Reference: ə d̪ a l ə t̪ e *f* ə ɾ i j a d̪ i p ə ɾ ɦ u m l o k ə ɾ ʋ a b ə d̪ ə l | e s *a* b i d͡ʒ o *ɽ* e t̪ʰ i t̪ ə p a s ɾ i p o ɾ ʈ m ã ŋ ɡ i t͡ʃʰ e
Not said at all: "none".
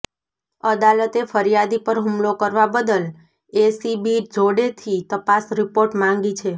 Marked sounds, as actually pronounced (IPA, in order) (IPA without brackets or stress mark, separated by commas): f, i, ɽ